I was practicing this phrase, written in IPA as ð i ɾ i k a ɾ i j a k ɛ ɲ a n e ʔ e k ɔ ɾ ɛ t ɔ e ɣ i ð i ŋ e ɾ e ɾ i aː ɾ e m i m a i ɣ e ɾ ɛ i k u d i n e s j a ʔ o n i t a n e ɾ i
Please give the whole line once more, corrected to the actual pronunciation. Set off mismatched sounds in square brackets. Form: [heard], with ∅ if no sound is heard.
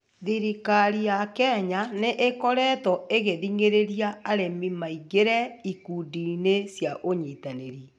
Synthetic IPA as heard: ð i ɾ i k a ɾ i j a k ɛ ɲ a n e ʔ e k ɔ ɾ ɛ t ɔ e ɣ [e] ð i ŋ e ɾ e ɾ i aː ɾ e m i m a i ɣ e ɾ ɛ i k u d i n e s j a ʔ o [ɲ] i t a n e ɾ i